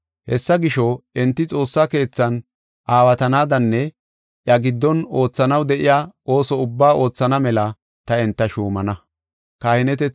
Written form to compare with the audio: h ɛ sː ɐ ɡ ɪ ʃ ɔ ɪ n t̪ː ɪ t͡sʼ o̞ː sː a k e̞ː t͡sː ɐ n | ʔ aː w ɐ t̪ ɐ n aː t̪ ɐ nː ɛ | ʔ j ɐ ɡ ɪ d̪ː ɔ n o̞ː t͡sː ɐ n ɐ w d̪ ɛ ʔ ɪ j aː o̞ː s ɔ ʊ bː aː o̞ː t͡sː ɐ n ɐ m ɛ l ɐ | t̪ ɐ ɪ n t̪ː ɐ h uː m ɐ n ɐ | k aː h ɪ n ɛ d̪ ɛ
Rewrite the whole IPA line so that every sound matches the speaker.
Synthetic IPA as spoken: h ɛ sː ɐ ɡ ɪ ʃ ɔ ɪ n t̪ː ɪ t͡sʼ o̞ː sː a k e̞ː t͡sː ɐ n | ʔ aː w ɐ t̪ ɐ n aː d̪ ɐ nː ɛ | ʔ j ɐ ɡ ɪ d̪ː ɔ n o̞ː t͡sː ɐ n ɐ w d̪ ɛ ʔ ɪ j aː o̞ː s ɔ ʊ bː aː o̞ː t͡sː ɐ n ɐ m ɛ l ɐ | t̪ ɐ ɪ n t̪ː ɐ ʃ uː m ɐ n ɐ | k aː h ɪ n ɛ t̪ ɛ